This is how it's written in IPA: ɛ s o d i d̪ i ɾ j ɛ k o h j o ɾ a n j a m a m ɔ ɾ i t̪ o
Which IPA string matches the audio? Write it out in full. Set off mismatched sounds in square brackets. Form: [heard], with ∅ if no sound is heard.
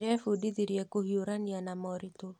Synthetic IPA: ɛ [f] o d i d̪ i ɾ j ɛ k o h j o ɾ a n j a [n] a m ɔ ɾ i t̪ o